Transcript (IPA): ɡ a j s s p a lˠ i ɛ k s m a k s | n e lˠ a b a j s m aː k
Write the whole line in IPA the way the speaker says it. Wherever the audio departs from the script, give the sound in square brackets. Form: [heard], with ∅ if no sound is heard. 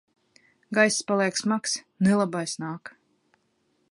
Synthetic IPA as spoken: ɡ a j s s p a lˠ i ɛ k s m a k s | n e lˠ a b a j s [n] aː k

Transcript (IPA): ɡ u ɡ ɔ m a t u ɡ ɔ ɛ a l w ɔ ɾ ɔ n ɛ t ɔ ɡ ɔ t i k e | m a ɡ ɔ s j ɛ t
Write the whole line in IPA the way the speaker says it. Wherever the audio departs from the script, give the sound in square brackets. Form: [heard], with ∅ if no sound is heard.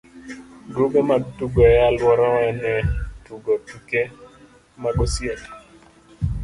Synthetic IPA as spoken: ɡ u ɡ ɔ m a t u ɡ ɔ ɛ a l w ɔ ɾ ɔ n ɛ t [u] ɡ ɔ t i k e | m a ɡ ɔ s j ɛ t

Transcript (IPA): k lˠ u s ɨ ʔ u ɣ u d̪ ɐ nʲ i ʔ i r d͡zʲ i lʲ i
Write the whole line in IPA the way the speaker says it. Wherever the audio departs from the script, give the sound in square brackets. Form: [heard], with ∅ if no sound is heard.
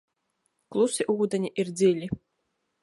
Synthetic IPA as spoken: k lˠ u s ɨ ʔ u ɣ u d̪ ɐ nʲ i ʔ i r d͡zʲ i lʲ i

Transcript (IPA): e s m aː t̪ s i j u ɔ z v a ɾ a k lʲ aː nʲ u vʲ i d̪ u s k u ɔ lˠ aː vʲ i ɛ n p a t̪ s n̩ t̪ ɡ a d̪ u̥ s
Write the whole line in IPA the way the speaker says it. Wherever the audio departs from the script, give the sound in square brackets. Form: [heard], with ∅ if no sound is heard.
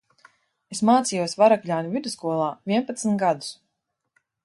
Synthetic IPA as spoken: e s m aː t̪ s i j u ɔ [s] v a ɾ a k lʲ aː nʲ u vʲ i d̪ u s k u ɔ lˠ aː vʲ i ɛ n p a t̪ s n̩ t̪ ɡ a d̪ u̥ s

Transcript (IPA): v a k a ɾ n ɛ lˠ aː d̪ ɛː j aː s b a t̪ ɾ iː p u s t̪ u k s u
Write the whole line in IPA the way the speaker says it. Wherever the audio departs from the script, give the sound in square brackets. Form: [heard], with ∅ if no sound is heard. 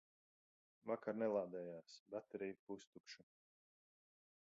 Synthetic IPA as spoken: v a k a ɾ n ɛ lˠ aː d̪ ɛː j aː s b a t̪ ɾ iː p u s t̪ u k [ʃ] u

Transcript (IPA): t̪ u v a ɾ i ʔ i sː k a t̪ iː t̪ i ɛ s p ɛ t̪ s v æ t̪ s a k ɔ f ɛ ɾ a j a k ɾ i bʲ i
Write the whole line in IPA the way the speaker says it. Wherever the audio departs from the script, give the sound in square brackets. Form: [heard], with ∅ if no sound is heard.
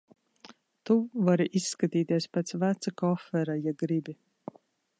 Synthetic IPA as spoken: t̪ u v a ɾ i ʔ i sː k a t̪ iː t̪ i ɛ s p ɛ t̪ s v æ t̪ s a k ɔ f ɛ ɾ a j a [ɡ] ɾ i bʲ i

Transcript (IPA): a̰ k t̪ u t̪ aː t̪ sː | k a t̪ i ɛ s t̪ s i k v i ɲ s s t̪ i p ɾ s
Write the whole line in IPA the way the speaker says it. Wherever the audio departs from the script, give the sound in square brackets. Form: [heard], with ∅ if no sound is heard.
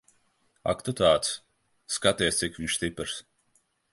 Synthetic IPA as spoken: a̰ k t̪ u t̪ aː t̪ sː | k a t̪ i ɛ s t̪ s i k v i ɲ [ʃ] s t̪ i p ɾ s

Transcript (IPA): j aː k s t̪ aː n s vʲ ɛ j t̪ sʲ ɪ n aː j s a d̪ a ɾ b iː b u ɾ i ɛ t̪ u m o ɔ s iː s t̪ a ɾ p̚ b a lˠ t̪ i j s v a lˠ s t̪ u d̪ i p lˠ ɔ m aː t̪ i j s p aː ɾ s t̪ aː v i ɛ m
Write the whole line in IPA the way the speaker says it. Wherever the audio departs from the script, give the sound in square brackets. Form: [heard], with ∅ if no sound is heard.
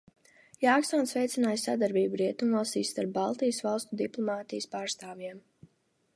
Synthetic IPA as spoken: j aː k s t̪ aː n s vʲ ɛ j t̪ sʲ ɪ n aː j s a d̪ a ɾ b iː b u ɾ i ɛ t̪ u m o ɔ s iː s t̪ a ɾ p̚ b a lˠ t̪ i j s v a lˠ s t̪ u d̪ i p lˠ ɔ m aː t̪ i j s p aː ɾ s t̪ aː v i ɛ m

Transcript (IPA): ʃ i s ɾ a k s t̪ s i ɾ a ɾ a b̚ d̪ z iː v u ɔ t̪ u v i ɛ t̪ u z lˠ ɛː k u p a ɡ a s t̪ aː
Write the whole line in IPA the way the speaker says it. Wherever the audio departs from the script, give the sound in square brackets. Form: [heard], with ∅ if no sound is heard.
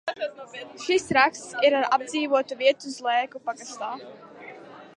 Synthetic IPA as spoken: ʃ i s ɾ a k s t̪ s i ɾ a ɾ a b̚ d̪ z iː v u ɔ t̪ u v i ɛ t̪ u z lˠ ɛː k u p a ɡ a s t̪ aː

